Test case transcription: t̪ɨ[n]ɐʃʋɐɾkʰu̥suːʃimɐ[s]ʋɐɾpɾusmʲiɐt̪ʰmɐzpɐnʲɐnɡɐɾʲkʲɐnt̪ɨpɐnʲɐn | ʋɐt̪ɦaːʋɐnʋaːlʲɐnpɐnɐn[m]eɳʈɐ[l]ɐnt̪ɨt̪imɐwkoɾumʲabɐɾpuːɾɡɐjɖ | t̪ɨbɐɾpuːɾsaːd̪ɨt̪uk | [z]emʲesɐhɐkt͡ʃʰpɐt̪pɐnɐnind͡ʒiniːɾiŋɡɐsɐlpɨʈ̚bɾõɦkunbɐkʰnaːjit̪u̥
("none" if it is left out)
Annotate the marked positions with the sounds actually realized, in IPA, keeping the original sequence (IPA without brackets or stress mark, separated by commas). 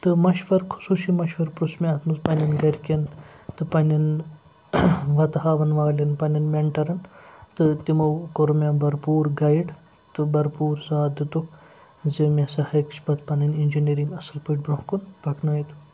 m, ʃ, m, ɾ, z